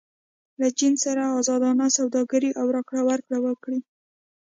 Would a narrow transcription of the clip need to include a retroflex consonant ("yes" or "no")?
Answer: yes